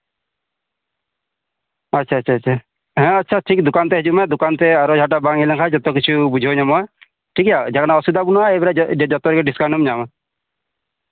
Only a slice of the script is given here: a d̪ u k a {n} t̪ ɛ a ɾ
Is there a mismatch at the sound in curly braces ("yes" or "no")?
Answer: no